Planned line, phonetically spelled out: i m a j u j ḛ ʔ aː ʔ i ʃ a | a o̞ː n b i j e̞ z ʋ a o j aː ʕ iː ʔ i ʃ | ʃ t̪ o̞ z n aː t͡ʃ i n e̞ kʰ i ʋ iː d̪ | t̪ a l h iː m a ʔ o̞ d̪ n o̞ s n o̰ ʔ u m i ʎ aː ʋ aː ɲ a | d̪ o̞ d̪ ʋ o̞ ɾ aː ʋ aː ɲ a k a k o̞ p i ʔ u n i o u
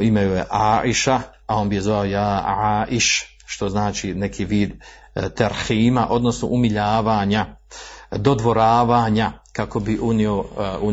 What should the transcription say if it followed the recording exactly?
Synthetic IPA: i m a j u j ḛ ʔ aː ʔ i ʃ a | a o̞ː n b i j e̞ z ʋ a o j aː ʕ aː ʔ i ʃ | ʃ t̪ o̞ z n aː t͡ʃ i n e̞ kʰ i ʋ iː d̪ | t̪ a ɾ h iː m a ʔ o̞ d̪ n o̞ s n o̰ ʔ u m i ʎ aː ʋ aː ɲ a | d̪ o̞ d̪ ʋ o̞ ɾ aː ʋ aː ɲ a k a k o̞ b i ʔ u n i o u